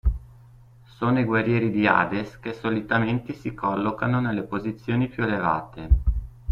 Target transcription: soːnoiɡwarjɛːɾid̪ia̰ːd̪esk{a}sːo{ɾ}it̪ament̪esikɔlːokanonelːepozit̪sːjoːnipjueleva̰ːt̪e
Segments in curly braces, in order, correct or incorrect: incorrect: e, incorrect: l

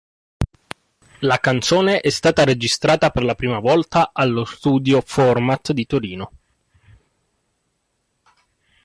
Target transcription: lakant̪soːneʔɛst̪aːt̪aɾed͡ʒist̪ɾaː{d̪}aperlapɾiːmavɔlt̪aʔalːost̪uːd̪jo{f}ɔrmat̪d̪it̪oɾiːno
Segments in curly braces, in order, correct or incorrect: incorrect: t̪, correct

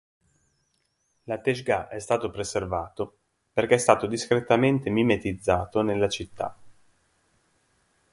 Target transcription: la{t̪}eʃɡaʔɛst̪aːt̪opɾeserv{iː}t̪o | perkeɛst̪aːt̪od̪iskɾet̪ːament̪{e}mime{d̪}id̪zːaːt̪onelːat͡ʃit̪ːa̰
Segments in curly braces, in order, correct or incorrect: correct, incorrect: aː, correct, incorrect: t̪

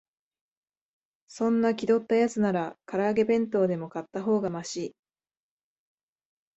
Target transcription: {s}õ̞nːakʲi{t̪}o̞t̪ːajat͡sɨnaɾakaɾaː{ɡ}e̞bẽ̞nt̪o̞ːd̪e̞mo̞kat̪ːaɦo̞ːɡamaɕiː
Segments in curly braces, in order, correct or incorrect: correct, incorrect: d̪, correct

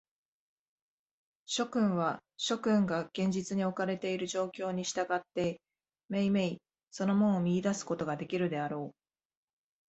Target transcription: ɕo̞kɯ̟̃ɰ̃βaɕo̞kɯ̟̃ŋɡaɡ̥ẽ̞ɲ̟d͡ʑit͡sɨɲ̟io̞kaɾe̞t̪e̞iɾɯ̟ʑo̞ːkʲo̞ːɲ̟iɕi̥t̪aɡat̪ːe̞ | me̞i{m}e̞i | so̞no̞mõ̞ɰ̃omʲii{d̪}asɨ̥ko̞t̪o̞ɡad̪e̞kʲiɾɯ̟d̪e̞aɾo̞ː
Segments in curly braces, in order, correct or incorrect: correct, correct

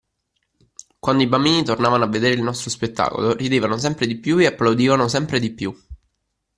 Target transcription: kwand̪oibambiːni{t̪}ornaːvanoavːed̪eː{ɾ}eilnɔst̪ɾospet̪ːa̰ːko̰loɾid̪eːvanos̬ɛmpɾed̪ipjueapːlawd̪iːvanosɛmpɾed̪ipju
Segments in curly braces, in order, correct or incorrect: correct, correct

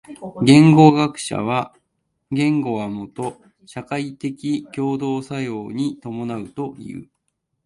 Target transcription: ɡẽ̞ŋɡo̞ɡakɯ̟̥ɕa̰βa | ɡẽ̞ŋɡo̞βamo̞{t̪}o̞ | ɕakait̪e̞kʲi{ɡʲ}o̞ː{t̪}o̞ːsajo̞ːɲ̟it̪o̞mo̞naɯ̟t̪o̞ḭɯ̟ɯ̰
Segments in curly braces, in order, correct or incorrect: correct, incorrect: kʲ, incorrect: d̪

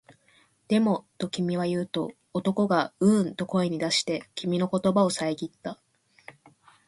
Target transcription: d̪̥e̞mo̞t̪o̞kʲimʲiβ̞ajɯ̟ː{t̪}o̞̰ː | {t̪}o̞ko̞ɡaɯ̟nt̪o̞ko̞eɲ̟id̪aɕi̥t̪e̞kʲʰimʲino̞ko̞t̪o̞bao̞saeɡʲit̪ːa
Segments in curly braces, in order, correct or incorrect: correct, correct

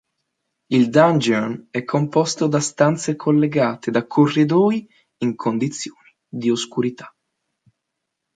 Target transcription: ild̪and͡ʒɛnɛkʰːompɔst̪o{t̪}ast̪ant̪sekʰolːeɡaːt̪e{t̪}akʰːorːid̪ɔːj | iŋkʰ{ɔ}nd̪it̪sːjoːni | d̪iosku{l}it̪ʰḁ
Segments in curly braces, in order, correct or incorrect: incorrect: d̪, incorrect: d̪, incorrect: o, incorrect: ɾ

